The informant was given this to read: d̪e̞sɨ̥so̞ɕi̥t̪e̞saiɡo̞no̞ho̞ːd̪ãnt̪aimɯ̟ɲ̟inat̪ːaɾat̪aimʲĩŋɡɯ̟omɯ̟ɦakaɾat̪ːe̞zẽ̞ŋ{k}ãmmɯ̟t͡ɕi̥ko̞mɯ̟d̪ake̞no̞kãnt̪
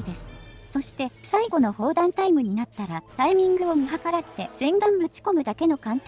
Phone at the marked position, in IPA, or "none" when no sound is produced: ɡ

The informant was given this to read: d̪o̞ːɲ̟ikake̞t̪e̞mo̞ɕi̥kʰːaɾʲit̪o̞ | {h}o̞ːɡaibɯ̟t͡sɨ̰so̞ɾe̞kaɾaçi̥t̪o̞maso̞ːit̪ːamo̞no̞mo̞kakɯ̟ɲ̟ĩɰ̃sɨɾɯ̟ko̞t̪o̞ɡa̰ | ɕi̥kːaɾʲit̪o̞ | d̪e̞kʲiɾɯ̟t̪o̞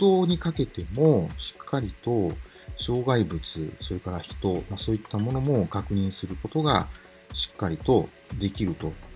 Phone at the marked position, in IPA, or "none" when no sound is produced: ɕ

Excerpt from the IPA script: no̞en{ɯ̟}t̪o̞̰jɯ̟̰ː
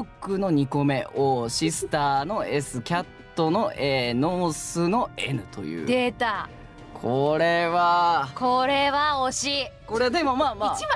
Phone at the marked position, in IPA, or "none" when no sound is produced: ɯ̟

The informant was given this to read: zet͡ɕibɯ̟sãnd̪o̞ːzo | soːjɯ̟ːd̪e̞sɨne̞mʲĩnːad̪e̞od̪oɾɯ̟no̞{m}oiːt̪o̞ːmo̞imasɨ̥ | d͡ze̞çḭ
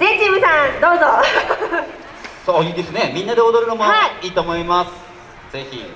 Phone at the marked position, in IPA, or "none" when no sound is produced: m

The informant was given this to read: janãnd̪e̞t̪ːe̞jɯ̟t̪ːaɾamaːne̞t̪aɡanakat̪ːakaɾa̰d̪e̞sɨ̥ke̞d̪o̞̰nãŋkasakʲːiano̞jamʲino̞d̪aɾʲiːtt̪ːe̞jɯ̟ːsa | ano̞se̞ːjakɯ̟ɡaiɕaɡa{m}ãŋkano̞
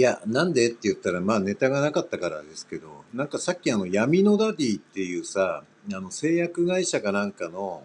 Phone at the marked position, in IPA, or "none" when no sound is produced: n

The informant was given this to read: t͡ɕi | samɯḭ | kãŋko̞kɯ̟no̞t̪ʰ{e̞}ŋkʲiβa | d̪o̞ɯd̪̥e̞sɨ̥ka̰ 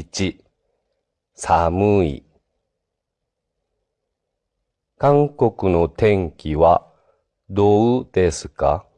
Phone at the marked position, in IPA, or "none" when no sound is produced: ẽ̞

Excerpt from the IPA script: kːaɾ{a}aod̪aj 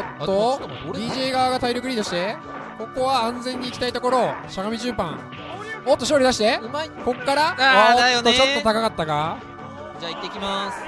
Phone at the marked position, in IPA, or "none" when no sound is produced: a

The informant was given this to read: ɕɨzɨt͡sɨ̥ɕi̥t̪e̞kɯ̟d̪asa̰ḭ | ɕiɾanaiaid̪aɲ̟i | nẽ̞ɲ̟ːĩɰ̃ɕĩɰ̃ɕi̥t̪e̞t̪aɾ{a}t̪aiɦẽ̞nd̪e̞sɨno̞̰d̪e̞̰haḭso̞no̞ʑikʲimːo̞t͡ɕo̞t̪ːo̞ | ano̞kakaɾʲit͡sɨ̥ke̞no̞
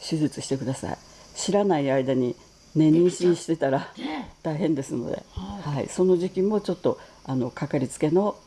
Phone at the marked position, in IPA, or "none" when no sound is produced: a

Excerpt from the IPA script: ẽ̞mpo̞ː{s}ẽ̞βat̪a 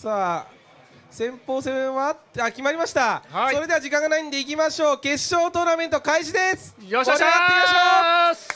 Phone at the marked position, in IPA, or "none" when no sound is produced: s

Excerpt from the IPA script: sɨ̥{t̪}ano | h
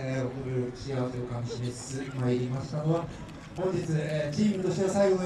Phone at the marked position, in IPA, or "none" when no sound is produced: t̪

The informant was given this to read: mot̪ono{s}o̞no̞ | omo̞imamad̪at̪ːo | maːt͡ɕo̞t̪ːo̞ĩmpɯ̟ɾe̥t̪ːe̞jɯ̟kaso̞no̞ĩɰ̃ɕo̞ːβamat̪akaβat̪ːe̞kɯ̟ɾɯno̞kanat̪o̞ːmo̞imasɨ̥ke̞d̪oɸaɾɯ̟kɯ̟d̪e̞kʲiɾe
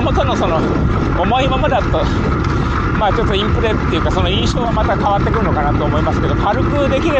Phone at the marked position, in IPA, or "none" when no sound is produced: s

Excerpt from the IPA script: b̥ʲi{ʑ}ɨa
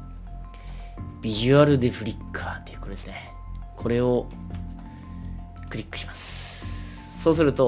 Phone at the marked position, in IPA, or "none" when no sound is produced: ʑ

